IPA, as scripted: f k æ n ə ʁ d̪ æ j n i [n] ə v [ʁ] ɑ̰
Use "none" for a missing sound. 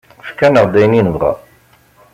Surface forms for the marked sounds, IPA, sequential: n, ʁ

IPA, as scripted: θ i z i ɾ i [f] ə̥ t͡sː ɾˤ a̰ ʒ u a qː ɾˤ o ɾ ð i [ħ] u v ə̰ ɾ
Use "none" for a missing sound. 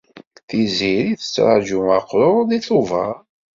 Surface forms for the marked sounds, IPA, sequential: θ, θ

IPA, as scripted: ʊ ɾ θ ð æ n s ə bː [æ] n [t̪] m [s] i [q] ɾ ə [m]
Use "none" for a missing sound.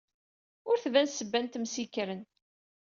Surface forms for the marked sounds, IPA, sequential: æ, t̪, s, k, n

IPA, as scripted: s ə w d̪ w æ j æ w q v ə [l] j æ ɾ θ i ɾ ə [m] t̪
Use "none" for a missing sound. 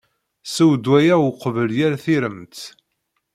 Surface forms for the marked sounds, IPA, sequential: l, m

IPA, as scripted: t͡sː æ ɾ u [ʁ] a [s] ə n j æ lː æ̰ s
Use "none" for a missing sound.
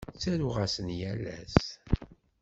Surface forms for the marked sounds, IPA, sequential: ʁ, s

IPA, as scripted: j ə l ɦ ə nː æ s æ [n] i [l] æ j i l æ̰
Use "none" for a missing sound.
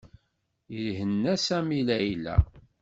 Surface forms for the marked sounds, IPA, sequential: m, l

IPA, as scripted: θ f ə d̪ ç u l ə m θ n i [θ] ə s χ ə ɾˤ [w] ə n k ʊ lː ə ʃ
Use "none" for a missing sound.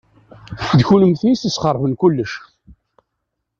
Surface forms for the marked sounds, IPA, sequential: s, v

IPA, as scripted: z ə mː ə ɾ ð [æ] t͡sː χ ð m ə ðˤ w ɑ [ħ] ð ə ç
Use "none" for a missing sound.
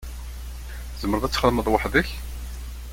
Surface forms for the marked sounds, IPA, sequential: æ, ħ

